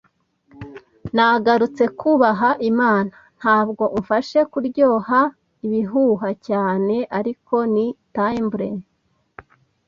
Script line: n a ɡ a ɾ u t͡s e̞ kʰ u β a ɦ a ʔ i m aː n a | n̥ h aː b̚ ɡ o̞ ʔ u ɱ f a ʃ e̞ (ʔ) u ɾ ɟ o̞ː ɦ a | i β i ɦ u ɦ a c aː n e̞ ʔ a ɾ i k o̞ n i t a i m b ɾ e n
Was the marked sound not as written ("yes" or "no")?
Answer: yes